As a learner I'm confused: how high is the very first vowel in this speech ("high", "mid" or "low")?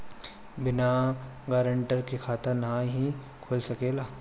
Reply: high